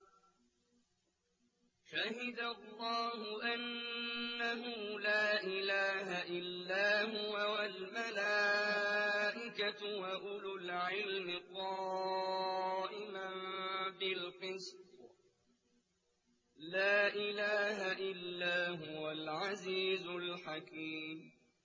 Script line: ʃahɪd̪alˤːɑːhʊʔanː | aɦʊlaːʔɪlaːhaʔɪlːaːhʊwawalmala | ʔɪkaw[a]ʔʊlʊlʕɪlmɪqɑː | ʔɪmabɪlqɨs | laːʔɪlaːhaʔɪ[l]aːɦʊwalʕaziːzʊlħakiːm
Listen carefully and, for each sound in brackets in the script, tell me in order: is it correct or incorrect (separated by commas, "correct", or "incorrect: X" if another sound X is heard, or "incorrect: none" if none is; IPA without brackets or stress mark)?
correct, incorrect: lː